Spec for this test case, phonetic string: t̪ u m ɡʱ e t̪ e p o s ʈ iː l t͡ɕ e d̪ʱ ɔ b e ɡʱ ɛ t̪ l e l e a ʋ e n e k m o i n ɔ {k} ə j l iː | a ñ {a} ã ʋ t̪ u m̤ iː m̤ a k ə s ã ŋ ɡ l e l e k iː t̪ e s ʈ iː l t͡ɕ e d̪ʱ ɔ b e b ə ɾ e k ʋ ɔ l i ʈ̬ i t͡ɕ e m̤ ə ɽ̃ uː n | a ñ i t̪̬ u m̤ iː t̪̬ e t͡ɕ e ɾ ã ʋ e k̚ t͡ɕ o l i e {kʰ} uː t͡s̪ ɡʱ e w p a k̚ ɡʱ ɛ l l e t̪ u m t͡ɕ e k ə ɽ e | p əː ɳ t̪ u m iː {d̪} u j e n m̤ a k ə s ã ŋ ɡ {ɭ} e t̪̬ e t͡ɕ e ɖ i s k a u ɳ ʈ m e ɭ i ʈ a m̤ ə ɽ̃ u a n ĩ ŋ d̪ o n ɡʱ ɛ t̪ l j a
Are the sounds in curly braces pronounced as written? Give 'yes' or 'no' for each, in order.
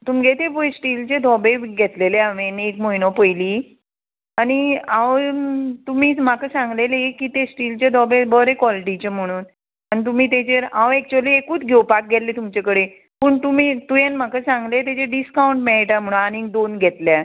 no, no, no, no, no

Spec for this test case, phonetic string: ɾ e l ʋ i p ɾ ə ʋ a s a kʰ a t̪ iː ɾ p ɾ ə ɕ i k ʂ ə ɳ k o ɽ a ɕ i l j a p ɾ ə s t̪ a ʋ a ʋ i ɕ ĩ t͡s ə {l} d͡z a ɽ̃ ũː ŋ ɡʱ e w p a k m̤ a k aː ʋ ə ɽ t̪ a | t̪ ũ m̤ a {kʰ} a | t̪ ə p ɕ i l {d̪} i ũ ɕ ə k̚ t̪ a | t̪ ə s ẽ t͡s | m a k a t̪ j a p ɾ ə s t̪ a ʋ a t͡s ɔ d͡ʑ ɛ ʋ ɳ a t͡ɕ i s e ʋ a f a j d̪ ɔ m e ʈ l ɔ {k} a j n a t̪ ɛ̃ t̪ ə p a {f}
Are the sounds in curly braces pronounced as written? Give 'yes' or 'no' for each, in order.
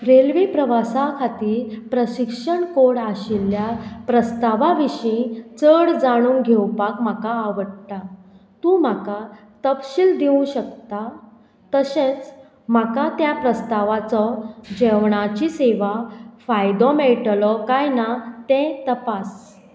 no, no, yes, yes, no

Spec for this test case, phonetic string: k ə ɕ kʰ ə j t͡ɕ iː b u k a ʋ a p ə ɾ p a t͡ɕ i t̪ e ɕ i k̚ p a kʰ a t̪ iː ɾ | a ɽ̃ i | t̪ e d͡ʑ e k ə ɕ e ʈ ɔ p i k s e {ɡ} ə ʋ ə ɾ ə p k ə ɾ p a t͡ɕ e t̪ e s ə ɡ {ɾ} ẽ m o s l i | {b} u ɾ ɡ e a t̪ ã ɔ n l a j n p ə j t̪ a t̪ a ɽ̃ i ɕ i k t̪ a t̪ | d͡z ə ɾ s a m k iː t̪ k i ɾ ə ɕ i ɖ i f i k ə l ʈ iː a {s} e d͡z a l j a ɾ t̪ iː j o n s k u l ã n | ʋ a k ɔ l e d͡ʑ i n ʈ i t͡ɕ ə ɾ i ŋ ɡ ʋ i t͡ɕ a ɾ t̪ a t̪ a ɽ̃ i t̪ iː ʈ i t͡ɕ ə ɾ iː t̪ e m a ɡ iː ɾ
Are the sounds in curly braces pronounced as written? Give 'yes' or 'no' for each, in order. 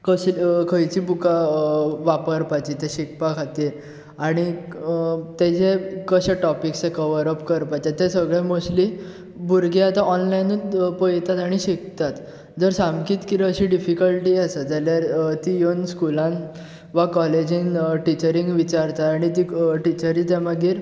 no, no, yes, yes

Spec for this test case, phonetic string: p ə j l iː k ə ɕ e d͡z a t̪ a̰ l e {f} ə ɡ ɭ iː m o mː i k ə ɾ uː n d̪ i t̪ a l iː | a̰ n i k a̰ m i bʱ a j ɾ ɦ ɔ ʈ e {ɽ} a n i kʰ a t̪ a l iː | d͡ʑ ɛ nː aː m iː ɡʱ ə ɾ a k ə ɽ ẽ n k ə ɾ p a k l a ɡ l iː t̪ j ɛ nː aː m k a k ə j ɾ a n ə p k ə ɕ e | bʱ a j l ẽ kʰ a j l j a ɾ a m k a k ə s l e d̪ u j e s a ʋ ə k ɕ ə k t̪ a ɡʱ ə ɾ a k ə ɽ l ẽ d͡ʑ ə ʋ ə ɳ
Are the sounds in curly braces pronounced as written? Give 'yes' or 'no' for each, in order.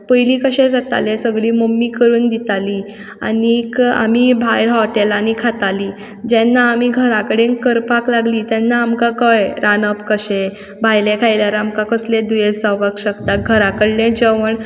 no, no

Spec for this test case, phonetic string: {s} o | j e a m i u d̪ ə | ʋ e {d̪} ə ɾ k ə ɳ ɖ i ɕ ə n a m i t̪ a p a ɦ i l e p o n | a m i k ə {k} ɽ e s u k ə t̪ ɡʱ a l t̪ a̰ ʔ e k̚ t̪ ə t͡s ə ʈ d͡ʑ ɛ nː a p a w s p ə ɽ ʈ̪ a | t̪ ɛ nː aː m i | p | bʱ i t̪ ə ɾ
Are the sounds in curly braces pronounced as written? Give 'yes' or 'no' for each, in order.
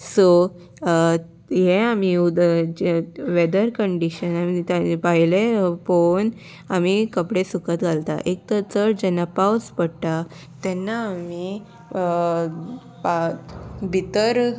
yes, yes, no

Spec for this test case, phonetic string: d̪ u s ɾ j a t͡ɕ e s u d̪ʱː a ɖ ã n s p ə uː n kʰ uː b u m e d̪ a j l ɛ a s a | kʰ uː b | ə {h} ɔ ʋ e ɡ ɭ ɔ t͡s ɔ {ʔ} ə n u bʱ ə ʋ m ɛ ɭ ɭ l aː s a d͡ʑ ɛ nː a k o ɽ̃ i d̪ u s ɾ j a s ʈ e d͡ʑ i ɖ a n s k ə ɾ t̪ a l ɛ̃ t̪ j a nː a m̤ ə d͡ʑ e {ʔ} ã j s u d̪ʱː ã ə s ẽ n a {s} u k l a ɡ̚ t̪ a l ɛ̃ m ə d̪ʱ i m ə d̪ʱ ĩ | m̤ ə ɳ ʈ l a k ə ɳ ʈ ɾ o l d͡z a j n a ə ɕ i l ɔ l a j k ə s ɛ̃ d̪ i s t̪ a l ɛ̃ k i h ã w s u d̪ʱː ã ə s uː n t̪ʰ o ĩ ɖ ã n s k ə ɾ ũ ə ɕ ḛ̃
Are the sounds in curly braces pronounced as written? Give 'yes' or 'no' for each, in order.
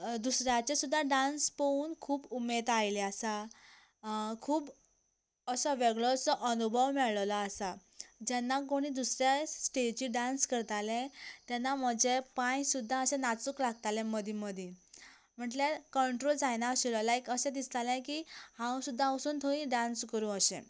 no, yes, no, no

